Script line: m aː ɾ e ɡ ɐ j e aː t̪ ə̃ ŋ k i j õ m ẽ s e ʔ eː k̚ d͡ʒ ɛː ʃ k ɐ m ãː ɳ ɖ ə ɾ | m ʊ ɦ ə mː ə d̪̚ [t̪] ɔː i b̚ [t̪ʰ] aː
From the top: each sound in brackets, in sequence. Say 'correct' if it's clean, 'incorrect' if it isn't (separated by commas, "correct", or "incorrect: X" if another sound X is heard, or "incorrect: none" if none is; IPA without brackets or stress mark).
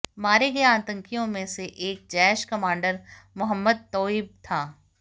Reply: correct, correct